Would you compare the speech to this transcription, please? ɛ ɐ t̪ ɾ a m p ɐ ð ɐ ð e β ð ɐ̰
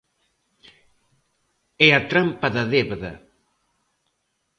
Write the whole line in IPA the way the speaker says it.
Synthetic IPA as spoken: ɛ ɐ t̪ ɾ a m p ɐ ð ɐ ð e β ð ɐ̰